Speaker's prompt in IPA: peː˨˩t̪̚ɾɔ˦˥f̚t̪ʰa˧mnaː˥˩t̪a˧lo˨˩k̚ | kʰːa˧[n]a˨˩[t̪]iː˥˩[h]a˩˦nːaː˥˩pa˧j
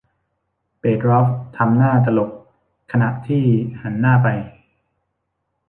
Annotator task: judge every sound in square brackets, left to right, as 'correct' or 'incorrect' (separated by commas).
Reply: correct, incorrect, correct